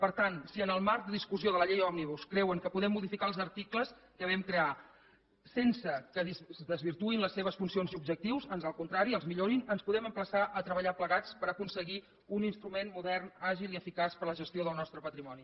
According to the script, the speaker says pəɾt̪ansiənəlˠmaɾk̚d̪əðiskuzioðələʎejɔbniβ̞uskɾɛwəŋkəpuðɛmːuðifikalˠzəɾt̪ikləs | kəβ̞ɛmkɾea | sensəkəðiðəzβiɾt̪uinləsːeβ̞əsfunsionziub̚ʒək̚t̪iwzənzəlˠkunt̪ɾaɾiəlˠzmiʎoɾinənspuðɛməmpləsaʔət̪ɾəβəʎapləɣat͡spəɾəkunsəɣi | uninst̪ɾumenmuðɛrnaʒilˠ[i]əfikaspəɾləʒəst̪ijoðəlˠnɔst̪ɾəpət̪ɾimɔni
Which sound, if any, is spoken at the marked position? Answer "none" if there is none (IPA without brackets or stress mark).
i